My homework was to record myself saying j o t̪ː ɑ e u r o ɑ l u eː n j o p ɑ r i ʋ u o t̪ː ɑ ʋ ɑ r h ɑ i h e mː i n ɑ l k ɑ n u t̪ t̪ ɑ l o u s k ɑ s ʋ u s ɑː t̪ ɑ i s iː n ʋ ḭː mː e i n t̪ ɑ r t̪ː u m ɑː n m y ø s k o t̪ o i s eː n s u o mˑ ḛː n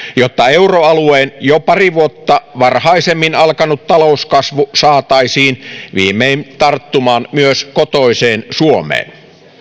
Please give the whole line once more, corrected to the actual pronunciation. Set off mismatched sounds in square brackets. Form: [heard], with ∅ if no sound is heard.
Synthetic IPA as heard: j o t̪ː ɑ e u r o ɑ l u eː n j o p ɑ r i ʋ u o t̪ː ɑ ʋ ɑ r h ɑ i [s] e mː i n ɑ l k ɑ n u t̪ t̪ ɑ l o u s k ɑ s ʋ u s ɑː t̪ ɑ i s iː n ʋ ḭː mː e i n t̪ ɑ r t̪ː u m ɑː n m y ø s k o t̪ o i s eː n s u o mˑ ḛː n